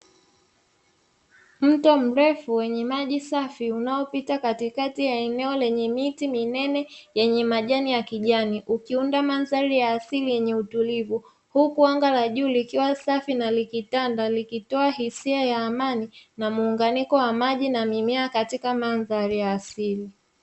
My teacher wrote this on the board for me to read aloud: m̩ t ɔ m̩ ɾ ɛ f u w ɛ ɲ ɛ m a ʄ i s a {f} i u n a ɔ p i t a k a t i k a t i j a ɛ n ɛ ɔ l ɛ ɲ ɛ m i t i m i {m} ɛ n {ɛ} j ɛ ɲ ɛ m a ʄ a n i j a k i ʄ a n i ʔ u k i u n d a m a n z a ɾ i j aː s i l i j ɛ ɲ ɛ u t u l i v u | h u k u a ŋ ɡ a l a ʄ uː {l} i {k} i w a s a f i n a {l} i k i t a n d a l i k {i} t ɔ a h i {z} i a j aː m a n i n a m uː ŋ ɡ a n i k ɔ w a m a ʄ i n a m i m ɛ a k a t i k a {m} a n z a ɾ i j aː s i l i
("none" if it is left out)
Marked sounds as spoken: f, n, ɛ, l, k, l, i, s, m

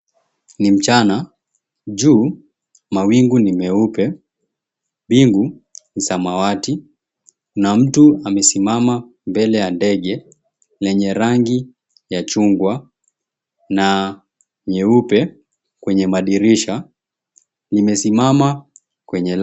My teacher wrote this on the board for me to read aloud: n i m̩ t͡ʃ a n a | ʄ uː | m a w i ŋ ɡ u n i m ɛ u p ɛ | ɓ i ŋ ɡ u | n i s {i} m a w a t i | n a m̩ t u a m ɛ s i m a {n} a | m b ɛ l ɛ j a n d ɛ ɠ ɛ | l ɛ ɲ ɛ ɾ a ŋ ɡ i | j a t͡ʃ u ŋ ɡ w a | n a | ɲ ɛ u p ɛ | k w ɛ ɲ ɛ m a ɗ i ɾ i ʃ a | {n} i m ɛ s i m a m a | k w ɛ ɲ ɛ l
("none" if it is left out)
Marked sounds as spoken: a, m, n

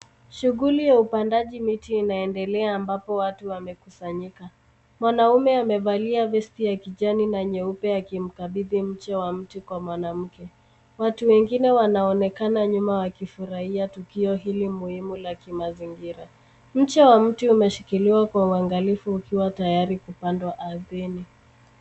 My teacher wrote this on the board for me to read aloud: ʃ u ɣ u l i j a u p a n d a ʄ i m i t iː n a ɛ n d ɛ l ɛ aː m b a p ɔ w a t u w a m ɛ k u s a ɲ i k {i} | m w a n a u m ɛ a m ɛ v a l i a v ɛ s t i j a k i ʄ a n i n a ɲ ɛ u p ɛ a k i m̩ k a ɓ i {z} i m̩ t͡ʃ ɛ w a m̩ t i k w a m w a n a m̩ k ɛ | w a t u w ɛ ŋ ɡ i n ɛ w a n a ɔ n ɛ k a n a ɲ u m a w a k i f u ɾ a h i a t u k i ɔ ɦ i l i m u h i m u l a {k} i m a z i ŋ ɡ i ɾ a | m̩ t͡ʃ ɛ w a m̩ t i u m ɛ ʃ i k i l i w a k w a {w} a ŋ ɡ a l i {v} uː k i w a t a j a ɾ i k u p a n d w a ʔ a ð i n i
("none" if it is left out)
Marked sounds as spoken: a, ð, k, u, f

